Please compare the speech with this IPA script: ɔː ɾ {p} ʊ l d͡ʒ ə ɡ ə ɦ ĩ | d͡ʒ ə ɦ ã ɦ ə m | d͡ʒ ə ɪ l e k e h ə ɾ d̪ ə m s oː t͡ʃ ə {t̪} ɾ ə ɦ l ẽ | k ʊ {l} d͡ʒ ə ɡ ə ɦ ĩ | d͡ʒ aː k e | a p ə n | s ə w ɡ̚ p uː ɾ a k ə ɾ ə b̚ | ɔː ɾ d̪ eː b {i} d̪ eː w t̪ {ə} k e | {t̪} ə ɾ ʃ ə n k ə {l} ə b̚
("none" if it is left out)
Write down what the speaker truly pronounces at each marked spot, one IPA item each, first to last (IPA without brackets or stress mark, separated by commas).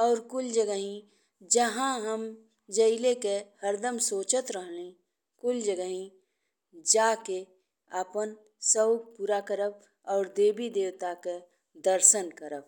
k, t̪, l, i, a, d̪, ɾ